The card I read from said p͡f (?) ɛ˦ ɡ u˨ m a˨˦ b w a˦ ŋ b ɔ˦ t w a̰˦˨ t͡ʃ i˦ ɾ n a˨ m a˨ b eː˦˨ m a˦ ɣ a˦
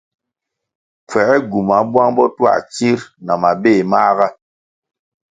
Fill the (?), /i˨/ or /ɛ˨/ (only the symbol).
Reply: ɛ˨